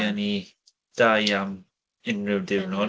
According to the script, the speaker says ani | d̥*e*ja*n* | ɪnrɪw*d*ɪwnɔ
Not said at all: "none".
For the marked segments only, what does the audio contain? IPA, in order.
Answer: a, m, d

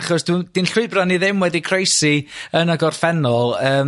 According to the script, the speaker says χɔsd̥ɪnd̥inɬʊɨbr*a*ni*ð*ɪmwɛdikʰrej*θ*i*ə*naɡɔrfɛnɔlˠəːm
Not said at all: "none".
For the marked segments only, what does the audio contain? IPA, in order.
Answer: a, ð, s, ə

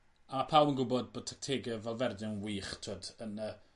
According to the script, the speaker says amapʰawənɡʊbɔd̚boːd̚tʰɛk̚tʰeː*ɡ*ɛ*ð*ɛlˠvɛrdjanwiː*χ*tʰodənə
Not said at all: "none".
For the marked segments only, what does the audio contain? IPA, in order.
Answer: ɡ, v, χ

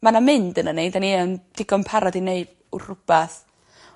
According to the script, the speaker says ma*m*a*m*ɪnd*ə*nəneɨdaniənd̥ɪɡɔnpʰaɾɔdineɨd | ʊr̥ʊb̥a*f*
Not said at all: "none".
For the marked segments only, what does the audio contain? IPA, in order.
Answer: n, m, ə, θ

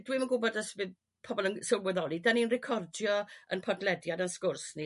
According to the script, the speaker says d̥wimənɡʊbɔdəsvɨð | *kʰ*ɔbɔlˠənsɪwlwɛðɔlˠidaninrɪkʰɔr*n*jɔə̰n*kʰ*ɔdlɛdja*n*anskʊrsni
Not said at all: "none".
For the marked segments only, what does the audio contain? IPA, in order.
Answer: pʰ, d, pʰ, d

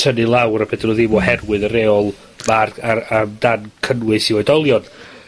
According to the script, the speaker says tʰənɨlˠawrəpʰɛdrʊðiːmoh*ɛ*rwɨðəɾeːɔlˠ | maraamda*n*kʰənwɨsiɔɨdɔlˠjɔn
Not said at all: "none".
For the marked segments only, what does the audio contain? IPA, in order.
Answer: ɛ, n

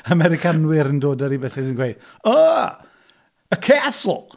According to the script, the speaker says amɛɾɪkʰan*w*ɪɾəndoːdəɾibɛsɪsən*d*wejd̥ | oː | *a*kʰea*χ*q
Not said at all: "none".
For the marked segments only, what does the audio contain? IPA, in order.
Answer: w, ɡ, ə, s

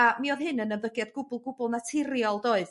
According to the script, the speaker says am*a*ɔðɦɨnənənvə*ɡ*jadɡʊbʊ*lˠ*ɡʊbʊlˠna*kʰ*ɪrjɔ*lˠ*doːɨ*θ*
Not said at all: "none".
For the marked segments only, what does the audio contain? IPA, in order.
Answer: i, ɡ, lˠ, tʰ, lˠ, ð

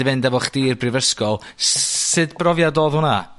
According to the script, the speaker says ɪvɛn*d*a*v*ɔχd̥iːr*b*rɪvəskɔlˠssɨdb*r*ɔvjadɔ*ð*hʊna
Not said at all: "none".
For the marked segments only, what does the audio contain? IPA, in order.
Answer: d, v, b, r, ð

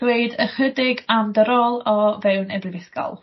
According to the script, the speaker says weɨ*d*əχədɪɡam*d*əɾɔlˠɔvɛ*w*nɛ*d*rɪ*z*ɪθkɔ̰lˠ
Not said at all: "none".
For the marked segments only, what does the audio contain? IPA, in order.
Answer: d, d, w, b, v

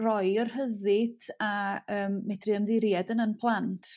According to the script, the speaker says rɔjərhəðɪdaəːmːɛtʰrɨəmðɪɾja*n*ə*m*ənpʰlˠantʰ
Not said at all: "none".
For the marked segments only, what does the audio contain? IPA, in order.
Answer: d, n

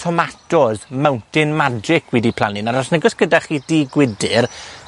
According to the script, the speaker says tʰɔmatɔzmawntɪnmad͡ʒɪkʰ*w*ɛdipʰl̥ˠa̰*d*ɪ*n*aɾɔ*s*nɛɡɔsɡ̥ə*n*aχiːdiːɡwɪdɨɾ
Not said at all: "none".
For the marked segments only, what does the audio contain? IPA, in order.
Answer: w, n, n, s, d

